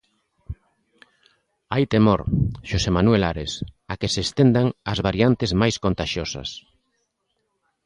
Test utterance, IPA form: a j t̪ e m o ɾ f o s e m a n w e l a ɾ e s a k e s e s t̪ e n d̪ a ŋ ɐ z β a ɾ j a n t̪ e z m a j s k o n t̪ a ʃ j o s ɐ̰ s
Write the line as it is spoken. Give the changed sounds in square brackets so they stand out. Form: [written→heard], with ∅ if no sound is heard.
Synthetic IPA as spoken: a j t̪ e m o ɾ [f→ʃ] o s e m a n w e l a ɾ e s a k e s e s t̪ e n d̪ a ŋ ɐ z β a ɾ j a n t̪ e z m a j s k o n t̪ a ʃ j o s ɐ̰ s